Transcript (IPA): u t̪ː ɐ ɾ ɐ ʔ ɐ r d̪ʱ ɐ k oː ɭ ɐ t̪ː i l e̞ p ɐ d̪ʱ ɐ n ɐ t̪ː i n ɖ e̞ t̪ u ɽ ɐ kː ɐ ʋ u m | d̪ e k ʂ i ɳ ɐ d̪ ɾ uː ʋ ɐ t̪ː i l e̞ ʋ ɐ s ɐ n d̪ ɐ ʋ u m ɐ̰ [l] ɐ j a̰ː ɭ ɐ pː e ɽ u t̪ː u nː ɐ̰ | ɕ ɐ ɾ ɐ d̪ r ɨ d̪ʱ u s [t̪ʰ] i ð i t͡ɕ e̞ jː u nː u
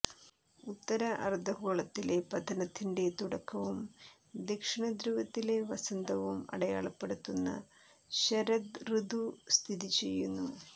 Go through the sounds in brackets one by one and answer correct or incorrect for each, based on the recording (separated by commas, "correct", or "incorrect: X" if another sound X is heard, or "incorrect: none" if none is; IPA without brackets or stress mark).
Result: incorrect: ɽ, correct